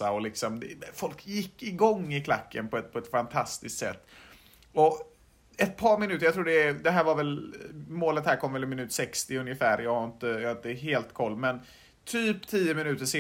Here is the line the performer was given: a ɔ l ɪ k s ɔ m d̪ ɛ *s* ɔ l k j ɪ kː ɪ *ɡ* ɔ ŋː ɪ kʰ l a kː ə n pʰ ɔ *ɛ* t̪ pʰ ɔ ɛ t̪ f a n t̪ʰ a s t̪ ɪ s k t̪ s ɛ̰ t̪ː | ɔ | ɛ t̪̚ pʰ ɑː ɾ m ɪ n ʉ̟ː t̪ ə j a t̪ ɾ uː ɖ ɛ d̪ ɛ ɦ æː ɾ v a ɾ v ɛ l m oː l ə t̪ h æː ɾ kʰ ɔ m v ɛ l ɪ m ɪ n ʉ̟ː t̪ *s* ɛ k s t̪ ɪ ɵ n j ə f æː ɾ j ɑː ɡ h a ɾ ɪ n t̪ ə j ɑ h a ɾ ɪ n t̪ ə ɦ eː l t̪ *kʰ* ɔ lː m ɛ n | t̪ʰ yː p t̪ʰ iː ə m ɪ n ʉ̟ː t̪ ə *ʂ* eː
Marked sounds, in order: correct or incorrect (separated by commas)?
incorrect, correct, correct, correct, correct, correct